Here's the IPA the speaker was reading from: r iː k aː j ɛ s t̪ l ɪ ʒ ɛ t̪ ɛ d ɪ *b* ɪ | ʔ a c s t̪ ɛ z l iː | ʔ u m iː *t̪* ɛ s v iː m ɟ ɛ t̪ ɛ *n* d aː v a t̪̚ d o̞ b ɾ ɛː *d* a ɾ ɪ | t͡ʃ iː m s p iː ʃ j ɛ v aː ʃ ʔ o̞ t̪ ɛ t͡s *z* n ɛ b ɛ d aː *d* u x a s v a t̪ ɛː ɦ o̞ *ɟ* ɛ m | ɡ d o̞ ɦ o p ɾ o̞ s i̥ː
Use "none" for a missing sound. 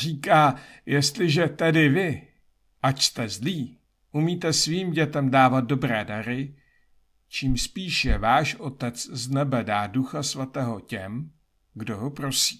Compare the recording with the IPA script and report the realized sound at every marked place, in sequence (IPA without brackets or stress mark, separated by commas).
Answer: v, t̪, m, d, z, d, c